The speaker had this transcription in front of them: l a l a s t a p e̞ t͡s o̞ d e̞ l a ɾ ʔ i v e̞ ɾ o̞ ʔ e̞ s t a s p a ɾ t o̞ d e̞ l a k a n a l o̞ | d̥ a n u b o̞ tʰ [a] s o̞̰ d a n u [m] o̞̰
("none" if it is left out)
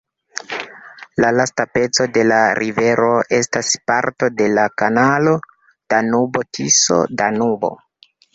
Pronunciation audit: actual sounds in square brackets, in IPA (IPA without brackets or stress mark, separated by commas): i, b